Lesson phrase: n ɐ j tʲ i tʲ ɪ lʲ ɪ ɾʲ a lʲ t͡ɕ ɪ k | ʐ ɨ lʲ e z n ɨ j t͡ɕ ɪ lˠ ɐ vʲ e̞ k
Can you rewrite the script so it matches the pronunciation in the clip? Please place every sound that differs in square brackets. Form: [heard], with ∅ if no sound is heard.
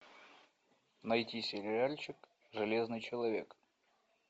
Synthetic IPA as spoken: n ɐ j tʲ i [sʲ] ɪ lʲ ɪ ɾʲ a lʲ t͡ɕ ɪ k | ʐ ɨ lʲ e z n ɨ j t͡ɕ ɪ lˠ ɐ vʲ e̞ k